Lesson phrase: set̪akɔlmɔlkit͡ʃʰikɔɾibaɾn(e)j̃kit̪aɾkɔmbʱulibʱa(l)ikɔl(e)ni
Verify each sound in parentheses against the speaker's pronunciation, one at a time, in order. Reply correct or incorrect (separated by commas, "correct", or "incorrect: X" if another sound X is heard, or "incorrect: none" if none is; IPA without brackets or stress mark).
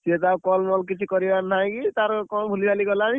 incorrect: a, correct, incorrect: a